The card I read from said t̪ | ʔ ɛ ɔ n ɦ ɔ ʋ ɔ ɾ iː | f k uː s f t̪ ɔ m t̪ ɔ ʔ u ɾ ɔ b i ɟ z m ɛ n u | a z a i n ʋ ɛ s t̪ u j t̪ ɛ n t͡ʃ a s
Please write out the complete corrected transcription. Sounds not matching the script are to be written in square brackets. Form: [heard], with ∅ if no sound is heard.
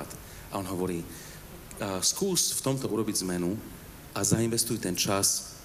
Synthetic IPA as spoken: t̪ | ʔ [a] ɔ n ɦ ɔ ʋ ɔ ɾ iː | [s] k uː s f t̪ ɔ m t̪ ɔ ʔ u ɾ ɔ b i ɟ z m ɛ n u | a z a i n ʋ ɛ s t̪ u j t̪ ɛ n t͡ʃ a s